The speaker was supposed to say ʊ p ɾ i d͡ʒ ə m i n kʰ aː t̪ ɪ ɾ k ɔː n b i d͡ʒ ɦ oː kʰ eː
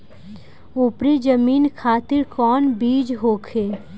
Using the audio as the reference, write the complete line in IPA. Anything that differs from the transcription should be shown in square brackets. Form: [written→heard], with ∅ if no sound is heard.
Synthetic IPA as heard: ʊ p ɾ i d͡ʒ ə m [i→iː] n kʰ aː t̪ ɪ ɾ k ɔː n b [i→iː] d͡ʒ ɦ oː kʰ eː

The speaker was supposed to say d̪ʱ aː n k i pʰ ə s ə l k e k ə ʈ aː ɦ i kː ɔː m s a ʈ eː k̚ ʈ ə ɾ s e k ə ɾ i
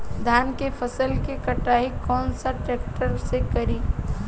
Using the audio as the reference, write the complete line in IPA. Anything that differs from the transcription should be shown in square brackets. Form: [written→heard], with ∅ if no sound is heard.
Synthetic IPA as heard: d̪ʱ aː n k [i→e] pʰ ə s ə l k e k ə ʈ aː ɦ i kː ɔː [m→n] s a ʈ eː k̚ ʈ ə ɾ s e k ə ɾ i

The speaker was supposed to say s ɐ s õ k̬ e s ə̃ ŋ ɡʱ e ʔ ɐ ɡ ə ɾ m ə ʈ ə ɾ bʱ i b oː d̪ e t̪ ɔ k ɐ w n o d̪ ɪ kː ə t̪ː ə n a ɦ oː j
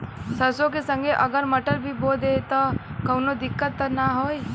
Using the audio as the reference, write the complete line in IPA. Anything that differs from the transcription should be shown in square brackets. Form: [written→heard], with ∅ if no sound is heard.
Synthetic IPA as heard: s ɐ s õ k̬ e s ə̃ ŋ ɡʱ e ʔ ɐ ɡ ə ɾ m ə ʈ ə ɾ bʱ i b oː d̪ e t̪ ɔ k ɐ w n o d̪ ɪ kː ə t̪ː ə n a ɦ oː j

